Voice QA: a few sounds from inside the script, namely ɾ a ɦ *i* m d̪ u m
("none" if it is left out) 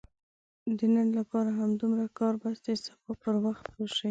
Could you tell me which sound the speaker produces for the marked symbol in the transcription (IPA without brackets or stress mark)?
a